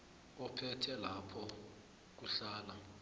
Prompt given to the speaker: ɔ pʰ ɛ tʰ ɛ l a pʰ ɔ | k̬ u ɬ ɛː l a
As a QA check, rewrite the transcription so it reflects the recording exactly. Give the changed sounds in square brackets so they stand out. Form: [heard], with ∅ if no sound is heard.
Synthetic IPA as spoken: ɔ pʰ ɛ tʰ ɛ l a pʰ ɔ | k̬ u ɬ [aː] l a